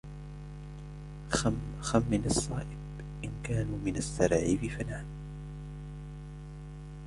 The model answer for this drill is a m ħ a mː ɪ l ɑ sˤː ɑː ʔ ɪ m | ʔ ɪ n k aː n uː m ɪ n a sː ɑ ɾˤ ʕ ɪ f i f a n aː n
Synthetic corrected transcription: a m x a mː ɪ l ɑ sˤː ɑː ʔ ɪ b | ʔ ɪ n k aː n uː m ɪ n a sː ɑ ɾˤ ʕ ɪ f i f a n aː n